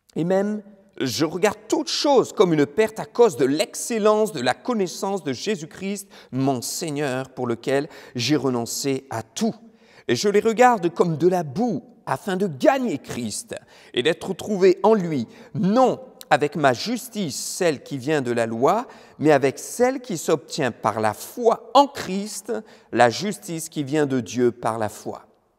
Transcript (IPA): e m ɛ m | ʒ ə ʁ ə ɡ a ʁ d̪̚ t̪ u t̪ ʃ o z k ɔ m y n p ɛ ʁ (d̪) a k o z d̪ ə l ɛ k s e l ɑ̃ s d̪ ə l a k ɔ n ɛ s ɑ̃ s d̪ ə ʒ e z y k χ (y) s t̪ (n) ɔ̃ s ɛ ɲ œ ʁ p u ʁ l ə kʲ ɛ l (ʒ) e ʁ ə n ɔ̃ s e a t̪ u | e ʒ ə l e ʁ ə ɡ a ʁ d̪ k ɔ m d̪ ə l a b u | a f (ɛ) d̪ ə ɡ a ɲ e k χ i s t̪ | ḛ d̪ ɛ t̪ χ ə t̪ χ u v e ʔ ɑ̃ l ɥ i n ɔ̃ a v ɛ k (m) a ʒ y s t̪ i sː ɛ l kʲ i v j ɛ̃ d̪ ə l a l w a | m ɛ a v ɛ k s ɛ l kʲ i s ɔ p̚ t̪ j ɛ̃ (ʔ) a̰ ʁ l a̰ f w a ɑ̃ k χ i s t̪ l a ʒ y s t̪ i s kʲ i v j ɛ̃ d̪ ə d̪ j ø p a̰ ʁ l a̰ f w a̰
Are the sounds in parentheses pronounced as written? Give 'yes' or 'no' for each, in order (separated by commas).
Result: no, no, no, yes, no, yes, no